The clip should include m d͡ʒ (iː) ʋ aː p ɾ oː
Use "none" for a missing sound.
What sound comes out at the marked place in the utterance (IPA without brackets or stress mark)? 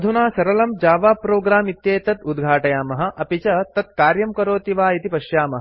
aː